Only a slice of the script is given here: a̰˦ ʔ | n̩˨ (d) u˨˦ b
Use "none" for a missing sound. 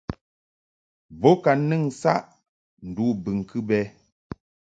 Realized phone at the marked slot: d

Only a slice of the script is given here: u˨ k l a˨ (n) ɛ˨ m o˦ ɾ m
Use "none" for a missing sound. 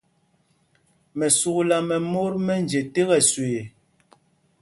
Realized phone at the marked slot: m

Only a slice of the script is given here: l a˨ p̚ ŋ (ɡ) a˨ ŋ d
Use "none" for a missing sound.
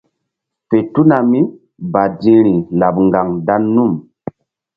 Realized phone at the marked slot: ɡ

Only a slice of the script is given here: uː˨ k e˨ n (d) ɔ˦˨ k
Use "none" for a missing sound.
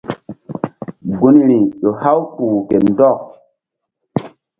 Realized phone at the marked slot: d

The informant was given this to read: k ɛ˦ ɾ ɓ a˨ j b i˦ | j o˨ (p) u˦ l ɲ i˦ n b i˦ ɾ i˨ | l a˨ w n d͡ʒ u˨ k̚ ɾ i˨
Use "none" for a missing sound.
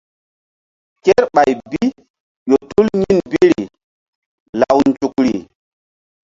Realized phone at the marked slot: t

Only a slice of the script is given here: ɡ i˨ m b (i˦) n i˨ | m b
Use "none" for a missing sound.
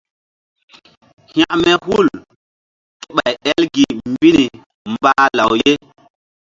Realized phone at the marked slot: i˦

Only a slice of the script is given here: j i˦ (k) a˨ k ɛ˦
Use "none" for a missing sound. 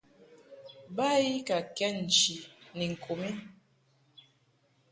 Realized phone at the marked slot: k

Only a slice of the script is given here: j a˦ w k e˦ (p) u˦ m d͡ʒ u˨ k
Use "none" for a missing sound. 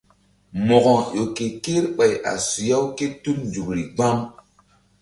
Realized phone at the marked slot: t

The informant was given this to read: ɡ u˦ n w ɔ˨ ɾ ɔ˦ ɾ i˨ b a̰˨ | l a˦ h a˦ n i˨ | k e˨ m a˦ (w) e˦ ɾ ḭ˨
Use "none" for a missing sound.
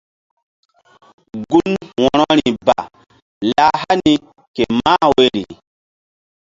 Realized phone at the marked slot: w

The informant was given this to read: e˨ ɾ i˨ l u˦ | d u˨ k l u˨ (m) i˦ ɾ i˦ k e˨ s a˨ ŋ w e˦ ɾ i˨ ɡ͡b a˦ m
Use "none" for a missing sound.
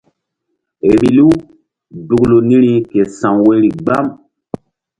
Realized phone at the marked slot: n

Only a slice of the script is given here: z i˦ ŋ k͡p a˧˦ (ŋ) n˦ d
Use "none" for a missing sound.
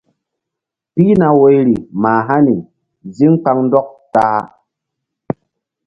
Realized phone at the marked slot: ŋ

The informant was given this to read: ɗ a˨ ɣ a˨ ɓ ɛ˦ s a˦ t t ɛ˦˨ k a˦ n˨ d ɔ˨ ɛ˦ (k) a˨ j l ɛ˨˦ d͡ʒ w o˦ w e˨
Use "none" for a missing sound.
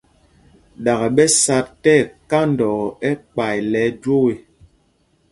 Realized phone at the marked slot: k͡p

